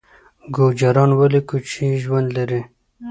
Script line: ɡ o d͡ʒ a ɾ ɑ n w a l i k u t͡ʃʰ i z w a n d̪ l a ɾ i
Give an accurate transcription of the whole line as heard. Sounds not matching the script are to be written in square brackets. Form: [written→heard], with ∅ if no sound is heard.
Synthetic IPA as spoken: ɡ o d͡ʒ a ɾ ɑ n w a l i k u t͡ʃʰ i [z→ʒ] w a n d̪ l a ɾ i